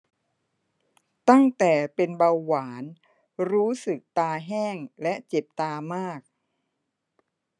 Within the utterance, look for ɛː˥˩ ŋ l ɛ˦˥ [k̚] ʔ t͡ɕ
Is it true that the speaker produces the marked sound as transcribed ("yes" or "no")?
no